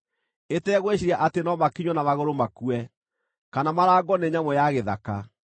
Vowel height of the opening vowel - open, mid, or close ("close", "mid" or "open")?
mid